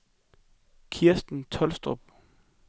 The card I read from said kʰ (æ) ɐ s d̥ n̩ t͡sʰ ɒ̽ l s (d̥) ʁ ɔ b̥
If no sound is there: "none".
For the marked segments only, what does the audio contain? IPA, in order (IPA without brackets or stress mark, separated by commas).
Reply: i, d̥